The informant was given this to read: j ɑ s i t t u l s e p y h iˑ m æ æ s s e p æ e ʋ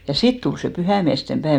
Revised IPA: j ɑ s i t t u l s e p y h æˑ m i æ s t e p æ e ʋ